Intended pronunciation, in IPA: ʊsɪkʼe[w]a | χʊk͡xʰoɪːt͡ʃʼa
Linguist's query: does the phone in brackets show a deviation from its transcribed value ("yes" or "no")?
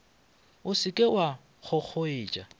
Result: no